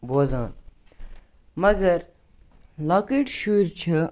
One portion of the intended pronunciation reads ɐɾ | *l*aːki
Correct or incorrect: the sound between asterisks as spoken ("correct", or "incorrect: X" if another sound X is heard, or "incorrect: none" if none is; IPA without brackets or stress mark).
correct